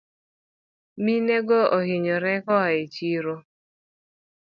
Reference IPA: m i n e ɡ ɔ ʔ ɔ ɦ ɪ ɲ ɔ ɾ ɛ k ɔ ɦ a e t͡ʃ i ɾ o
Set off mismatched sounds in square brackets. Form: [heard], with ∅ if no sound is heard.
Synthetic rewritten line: m i n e ɡ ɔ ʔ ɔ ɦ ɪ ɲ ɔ ɾ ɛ k ɔ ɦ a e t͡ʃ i ɾ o

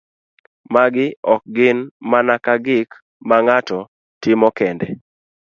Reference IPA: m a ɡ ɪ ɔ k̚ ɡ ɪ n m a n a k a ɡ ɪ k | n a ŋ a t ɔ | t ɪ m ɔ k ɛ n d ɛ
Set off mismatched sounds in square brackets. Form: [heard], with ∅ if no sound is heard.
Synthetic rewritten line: m a ɡ ɪ ɔ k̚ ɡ ɪ n m a n a k a ɡ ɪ k | [m] a ŋ a t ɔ | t ɪ m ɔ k ɛ n d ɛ

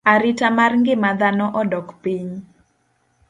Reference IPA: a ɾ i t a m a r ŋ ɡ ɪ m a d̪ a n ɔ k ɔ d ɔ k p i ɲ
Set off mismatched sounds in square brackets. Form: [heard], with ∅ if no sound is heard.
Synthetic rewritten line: a ɾ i t a m a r ŋ ɡ ɪ m a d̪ a n ɔ [ʔ] ɔ d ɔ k p i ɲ

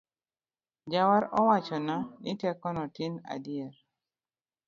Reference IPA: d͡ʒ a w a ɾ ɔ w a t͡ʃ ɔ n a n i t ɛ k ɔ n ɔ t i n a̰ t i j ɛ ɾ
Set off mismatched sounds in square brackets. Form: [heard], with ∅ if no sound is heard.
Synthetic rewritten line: d͡ʒ a w a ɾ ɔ w a t͡ʃ ɔ n a n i t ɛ k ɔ n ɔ t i n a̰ [d] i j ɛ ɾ

